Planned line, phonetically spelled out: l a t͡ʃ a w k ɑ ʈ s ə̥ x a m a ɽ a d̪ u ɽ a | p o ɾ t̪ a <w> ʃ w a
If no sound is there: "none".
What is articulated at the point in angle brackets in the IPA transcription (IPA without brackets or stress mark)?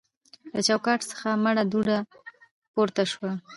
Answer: none